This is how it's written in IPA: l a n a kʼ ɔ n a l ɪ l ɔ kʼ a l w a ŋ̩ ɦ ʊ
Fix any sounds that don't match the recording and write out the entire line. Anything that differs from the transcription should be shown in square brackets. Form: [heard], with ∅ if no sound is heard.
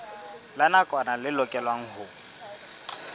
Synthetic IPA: l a n a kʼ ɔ n a l ɪ l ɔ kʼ [ɛ] l w a ŋ̩ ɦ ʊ